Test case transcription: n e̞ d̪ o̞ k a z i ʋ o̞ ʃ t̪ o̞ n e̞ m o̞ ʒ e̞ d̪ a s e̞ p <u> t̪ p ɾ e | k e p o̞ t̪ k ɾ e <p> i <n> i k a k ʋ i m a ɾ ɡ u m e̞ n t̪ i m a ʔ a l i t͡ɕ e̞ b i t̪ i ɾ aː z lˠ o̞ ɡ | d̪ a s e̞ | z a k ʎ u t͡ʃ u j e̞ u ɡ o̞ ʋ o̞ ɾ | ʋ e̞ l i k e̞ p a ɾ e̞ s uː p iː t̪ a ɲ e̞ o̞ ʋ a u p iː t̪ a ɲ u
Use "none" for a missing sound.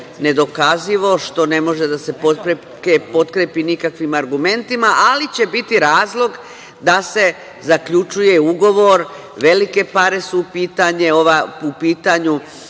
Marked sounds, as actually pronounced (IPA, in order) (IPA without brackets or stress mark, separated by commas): o, p, n